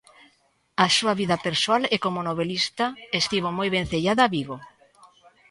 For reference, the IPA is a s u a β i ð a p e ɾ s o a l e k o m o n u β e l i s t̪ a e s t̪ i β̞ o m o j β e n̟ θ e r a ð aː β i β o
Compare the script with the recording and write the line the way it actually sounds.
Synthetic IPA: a s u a β i ð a p e ɾ s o a l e k o m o n o β e l i s t̪ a e s t̪ i β̞ o m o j β e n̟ θ e ʎ a ð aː β i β o